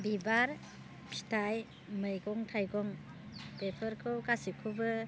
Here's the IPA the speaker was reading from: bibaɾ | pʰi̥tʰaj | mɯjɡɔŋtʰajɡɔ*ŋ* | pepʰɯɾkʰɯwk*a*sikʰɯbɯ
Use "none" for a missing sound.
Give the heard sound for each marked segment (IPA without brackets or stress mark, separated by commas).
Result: ŋ, a